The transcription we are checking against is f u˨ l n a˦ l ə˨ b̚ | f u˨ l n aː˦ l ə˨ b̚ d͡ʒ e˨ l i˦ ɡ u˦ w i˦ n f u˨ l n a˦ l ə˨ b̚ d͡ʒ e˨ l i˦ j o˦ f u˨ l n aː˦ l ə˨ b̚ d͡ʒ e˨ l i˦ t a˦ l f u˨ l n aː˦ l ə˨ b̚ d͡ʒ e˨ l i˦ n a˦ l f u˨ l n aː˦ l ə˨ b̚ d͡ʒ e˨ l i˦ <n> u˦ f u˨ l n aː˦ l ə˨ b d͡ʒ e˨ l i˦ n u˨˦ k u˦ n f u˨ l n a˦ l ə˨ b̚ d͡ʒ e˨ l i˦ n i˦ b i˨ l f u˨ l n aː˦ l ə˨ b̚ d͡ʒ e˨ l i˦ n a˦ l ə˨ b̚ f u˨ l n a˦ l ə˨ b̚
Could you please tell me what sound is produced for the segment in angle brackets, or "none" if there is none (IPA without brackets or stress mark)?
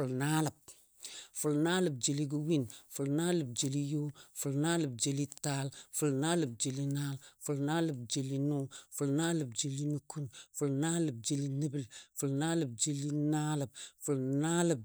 n